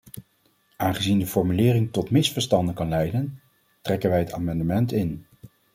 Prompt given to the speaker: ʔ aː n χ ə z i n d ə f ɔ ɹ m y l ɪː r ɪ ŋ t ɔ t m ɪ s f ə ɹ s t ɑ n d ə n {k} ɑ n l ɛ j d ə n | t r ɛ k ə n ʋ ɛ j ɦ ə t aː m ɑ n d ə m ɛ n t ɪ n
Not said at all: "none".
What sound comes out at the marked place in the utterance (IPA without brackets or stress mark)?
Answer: k